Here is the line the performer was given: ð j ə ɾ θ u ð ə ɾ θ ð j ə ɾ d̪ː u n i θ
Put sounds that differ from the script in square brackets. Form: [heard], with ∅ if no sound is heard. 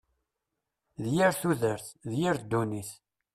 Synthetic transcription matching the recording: ð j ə ɾ θ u ð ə ɾ θ ð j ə ɾ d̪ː u n i θ

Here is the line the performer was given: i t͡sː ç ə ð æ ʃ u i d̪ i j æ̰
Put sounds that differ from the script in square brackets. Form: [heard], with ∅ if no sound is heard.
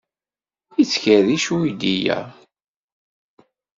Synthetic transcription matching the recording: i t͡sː ç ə ð [i] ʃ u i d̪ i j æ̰

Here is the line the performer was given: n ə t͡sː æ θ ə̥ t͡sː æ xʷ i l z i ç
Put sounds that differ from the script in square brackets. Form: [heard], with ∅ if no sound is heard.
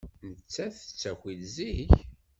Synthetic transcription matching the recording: n ə t͡sː æ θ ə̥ t͡sː æ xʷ i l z i ç

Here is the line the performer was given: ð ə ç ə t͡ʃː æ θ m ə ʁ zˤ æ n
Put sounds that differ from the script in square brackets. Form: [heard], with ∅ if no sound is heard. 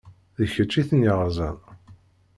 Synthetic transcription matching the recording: ð ə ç ə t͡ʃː [i] θ [n] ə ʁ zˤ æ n

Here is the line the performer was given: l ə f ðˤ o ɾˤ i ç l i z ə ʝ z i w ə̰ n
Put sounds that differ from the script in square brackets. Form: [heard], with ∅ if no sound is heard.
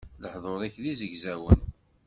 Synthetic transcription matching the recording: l ə [ħ] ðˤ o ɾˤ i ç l i z ə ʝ z [æ] w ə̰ n

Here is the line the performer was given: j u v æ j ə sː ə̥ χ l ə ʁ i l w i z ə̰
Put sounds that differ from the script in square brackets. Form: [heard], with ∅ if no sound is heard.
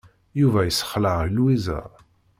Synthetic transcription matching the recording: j u v æ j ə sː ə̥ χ l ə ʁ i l w i z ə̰

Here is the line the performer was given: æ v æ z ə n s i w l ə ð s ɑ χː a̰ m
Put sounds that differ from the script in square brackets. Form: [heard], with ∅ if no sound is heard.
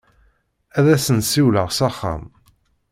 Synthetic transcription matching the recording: æ [ð] æ [s] ə n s i w l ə [ʁ] s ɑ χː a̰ m

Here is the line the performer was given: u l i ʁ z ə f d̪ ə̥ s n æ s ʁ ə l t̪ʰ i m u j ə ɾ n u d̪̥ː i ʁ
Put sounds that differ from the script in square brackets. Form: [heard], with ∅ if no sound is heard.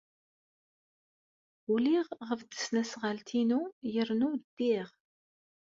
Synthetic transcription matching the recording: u l i ʁ [ʁ] ə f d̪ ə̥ s n æ s ʁ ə l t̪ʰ i [n] u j ə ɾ n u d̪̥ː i ʁ

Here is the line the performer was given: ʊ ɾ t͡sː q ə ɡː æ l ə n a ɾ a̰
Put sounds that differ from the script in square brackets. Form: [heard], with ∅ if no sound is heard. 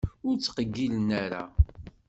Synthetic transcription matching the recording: ʊ ɾ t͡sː q ə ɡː [i] l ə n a ɾ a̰

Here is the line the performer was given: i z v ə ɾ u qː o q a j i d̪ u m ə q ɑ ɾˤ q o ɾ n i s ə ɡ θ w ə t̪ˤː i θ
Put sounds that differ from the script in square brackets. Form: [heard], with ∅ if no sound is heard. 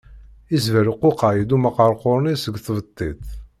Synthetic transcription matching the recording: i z v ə ɾ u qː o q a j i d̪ u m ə q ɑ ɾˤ q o ɾ n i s ə ɡ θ [v] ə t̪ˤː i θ

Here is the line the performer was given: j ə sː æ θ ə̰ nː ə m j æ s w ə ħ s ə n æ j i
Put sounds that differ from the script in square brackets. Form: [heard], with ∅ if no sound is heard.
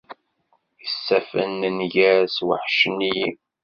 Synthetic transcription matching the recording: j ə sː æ [f] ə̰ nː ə [n] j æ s w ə ħ [ʃ] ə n [i] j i

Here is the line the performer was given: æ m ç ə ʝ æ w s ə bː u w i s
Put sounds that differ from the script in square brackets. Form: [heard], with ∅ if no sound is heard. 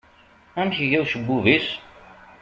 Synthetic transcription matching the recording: æ m ç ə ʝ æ w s ə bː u [v] i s

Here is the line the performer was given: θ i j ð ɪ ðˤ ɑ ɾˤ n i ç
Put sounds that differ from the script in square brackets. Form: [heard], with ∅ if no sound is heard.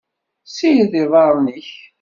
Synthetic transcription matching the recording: [s] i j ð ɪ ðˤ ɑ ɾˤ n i ç

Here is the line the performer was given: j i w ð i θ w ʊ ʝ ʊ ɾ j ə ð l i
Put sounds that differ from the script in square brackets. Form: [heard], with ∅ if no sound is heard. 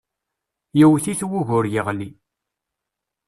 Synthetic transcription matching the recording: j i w [θ] i θ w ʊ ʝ ʊ ɾ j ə [ʁ] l i

